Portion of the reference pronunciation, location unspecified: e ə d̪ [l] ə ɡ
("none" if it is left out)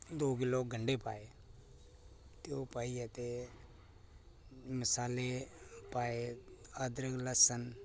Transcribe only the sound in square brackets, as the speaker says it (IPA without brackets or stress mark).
ɾ